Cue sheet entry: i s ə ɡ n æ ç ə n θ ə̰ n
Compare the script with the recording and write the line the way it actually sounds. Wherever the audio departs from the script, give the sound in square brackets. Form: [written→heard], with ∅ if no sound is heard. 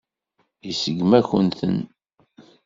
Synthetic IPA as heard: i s ə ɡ [n→m] æ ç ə n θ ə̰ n